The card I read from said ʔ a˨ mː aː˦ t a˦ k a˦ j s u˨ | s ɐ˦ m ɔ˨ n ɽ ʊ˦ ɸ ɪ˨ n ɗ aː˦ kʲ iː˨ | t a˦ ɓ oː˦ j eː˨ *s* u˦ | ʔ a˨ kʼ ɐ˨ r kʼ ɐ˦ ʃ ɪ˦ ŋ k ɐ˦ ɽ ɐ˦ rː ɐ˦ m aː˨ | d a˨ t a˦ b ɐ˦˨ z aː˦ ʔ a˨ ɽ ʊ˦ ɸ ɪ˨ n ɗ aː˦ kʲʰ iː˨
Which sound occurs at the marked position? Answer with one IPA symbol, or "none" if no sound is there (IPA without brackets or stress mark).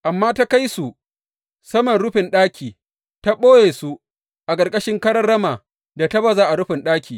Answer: s